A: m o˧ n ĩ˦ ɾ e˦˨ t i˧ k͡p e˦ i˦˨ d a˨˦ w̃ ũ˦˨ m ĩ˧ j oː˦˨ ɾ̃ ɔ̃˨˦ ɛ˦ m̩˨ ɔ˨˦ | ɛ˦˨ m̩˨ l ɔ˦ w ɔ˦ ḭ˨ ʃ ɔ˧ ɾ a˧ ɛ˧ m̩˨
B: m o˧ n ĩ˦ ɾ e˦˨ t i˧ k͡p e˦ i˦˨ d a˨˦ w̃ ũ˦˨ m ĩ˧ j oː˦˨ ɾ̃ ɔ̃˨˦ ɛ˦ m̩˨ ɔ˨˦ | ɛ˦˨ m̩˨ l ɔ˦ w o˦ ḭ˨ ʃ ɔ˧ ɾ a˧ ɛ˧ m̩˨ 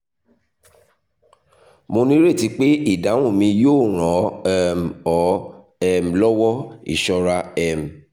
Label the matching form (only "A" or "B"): A